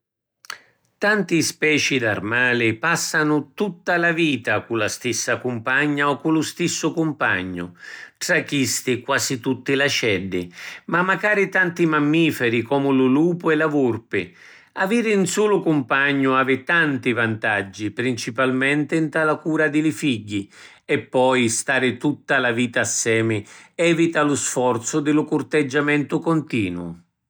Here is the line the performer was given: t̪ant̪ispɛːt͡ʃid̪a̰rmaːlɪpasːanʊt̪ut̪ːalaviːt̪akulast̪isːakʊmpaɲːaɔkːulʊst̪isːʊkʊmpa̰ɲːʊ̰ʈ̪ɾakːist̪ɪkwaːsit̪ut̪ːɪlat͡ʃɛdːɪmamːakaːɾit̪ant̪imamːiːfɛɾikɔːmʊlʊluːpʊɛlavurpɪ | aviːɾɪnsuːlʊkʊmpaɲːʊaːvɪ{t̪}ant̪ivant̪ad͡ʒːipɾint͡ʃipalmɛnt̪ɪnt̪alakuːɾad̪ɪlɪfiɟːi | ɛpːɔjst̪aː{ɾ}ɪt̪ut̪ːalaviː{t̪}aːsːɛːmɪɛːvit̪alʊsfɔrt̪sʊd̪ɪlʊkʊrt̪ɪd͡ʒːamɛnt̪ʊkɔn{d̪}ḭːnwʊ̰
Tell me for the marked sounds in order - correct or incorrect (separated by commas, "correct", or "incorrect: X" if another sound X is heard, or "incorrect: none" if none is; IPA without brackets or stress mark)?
correct, correct, correct, incorrect: t̪